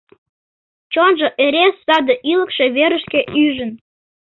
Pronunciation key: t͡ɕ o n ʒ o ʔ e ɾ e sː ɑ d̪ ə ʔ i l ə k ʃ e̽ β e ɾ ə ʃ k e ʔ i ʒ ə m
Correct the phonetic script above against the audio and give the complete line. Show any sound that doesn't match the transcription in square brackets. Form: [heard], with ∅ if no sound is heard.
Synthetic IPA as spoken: t͡ɕ o n ʒ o ʔ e ɾ e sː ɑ d̪ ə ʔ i l ə k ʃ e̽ β e ɾ ə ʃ k e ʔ [y] ʒ ə [n]